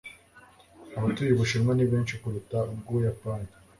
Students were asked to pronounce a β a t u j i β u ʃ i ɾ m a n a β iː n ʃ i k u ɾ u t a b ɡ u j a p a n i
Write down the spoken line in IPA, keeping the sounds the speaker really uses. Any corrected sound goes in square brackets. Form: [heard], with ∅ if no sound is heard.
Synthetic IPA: a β a t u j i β u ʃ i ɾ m a n [i] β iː n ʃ i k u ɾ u t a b ɡ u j a p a n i